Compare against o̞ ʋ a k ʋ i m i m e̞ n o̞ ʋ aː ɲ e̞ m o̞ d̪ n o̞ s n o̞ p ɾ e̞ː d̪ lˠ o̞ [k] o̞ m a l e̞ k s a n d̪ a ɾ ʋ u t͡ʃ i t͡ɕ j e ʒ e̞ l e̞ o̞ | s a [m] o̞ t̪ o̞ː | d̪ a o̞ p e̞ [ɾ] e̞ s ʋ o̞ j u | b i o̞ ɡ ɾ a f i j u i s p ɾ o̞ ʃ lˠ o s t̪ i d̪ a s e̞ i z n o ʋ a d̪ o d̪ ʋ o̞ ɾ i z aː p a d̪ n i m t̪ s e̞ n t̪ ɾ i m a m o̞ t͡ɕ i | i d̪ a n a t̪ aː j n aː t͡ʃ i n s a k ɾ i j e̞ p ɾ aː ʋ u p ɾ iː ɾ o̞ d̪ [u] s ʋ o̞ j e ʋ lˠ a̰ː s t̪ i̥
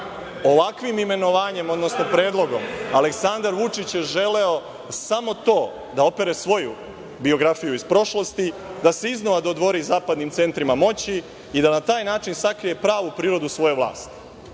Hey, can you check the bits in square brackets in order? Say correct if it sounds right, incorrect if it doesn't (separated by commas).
incorrect, correct, correct, correct